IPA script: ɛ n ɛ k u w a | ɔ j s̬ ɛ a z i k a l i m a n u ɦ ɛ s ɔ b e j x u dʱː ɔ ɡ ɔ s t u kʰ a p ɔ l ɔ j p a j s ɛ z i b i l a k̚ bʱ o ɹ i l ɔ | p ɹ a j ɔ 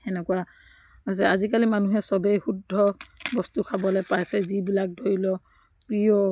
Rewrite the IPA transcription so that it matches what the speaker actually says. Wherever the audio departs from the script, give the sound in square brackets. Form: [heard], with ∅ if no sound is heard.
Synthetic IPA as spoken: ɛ n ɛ k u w a | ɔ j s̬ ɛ a z i k a l i m a n u ɦ ɛ s ɔ b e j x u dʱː ɔ [b] ɔ s t u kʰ a [b] ɔ l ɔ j p a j s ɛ z i b i l a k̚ [dʱ] o ɹ i l ɔ | p ɹ [i] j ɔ